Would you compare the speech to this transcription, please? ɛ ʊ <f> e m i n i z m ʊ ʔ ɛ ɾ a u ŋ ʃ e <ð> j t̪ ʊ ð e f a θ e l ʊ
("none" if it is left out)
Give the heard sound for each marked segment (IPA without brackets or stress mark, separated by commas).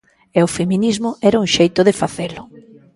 f, none